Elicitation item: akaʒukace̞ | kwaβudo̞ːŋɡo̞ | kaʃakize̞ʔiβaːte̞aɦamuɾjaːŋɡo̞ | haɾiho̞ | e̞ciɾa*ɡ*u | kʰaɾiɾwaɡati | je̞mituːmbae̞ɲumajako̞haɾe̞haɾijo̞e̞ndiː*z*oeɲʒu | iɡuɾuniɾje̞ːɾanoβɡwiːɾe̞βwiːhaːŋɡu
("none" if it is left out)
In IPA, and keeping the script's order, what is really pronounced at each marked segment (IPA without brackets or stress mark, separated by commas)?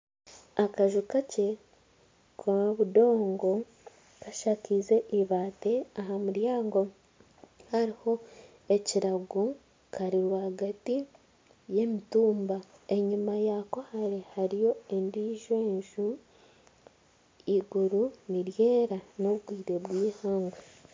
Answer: ɡ, ʒ